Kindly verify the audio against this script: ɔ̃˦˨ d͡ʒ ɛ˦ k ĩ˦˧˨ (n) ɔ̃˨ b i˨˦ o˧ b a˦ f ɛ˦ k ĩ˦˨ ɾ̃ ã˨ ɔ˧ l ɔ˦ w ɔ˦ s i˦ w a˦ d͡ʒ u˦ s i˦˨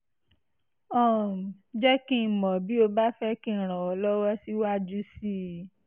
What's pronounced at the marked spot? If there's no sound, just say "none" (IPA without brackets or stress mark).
m